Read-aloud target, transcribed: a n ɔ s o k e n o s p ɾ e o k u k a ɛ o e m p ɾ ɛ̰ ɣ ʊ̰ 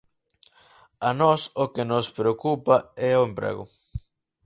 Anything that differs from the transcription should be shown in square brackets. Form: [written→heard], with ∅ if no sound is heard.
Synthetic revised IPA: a n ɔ s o k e n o s p ɾ e o k u [k→p] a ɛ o e m p ɾ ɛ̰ ɣ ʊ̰